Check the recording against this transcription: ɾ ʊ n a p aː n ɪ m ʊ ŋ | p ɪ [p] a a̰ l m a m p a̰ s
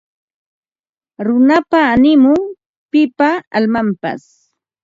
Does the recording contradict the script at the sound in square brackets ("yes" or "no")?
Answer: no